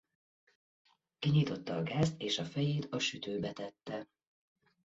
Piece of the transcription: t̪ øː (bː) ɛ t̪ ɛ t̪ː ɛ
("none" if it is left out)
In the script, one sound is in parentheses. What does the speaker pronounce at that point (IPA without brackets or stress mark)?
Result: b